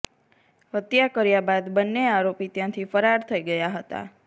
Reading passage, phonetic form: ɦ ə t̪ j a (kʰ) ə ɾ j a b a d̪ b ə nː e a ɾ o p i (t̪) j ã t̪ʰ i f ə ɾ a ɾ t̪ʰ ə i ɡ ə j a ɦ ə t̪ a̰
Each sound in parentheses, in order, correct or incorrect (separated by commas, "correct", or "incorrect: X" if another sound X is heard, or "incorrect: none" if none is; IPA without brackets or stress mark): incorrect: k, correct